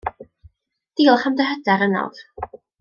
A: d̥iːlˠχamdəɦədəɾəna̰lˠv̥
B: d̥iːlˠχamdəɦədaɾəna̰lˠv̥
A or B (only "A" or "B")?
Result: B